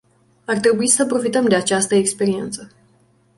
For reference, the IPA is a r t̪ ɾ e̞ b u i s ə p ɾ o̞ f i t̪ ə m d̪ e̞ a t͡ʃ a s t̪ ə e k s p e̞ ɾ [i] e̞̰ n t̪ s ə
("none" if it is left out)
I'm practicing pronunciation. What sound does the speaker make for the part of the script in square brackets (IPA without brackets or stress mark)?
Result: i